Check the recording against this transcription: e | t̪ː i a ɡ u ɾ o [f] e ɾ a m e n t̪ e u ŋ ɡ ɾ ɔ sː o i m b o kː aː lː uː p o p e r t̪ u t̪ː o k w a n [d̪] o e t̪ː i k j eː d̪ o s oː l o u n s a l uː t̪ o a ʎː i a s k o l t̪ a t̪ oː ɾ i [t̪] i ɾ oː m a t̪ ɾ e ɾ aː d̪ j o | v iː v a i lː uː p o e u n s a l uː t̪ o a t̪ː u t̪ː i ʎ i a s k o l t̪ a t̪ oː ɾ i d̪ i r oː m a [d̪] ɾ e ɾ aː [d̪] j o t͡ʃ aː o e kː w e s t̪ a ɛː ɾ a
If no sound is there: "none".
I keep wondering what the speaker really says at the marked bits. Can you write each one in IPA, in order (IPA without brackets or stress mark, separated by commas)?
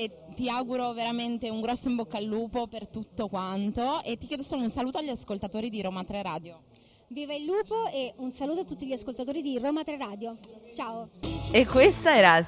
v, t̪, d̪, t̪, d̪